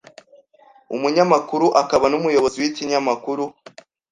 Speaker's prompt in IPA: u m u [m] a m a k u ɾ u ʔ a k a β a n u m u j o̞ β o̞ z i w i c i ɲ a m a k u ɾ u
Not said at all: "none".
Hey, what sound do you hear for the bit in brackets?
ɲ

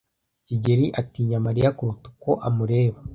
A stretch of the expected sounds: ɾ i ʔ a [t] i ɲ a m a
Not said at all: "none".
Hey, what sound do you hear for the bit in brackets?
t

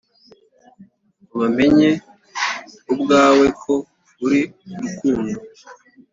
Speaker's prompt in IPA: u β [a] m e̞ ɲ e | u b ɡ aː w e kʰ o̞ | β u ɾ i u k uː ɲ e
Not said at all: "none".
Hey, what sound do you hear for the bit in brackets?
a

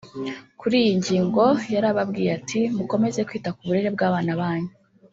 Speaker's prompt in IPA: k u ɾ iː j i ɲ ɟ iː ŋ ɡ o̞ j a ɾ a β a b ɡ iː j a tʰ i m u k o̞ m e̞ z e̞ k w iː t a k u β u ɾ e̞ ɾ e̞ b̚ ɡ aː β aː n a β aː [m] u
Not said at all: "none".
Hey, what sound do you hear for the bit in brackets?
ɲ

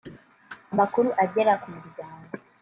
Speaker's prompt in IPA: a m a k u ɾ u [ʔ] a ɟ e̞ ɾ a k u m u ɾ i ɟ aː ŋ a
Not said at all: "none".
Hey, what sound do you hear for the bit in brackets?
ʔ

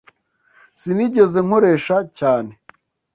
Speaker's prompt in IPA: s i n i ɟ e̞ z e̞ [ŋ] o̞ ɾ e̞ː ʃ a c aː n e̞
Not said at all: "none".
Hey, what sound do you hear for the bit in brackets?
ŋ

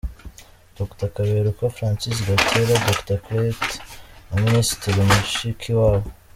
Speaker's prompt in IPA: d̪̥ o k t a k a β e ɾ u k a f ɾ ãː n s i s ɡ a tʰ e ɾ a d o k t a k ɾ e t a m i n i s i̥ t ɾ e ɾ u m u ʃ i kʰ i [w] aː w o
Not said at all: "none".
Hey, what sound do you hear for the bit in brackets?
w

